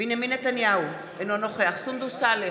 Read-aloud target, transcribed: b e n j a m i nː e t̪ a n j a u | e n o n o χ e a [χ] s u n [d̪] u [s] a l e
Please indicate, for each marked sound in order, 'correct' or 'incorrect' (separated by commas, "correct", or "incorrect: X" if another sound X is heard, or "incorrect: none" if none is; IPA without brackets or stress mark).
correct, correct, correct